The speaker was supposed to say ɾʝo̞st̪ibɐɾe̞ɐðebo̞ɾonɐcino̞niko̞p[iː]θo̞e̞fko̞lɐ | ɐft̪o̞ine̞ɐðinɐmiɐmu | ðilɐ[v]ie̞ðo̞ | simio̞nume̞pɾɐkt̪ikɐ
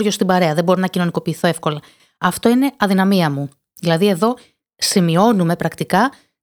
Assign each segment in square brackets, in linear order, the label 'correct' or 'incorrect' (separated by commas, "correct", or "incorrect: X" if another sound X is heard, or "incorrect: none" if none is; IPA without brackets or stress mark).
correct, incorrect: ð